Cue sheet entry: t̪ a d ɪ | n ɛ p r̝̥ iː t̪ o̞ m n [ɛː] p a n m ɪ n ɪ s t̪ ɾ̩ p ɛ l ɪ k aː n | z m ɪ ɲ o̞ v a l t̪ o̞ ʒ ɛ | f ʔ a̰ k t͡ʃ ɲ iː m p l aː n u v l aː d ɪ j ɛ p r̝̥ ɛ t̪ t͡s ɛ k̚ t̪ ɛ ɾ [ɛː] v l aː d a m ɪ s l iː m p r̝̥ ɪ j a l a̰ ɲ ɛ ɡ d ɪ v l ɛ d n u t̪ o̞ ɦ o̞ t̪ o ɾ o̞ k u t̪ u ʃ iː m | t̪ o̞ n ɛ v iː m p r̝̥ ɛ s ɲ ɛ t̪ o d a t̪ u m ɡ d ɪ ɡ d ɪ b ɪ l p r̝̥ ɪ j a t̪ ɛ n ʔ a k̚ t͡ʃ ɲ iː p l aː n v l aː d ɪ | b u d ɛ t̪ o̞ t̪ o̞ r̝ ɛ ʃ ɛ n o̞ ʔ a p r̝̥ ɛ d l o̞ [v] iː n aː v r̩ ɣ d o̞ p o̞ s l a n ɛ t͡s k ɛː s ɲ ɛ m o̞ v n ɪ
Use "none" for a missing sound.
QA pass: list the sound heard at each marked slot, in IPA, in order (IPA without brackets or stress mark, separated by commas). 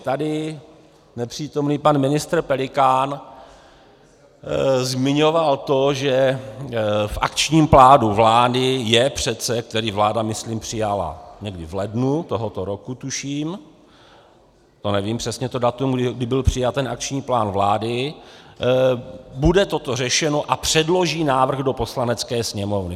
iː, iː, ʒ